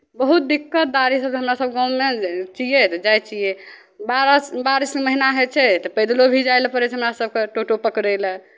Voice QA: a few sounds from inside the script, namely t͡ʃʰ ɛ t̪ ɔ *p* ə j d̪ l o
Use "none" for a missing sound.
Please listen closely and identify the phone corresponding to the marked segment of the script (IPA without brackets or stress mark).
p